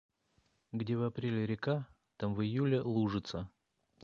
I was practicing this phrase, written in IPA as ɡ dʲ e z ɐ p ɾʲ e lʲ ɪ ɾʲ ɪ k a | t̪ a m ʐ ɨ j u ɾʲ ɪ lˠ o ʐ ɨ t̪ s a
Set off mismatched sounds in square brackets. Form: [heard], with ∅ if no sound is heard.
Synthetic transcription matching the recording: ɡ dʲ e [v] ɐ p ɾʲ e lʲ ɪ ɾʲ ɪ k a | t̪ a m [v] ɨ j u [lʲ] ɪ lˠ [u] ʐ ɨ t̪ s [ə]